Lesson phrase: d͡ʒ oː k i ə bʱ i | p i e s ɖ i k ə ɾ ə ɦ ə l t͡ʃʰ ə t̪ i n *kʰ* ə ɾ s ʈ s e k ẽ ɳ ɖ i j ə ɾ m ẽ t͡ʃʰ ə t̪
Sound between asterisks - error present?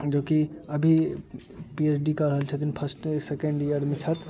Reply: yes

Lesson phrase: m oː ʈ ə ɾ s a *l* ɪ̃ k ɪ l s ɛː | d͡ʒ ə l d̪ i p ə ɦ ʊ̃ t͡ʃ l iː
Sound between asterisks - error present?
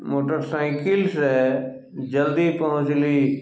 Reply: yes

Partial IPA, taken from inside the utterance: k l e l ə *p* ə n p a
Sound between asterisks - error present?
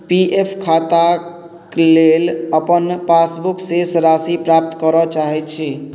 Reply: no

